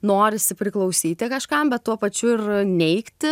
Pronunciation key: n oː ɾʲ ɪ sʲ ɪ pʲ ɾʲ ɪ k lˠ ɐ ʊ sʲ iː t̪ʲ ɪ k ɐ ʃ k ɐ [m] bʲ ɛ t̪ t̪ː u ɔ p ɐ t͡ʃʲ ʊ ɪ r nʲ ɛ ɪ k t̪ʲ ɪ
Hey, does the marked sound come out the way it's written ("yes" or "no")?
yes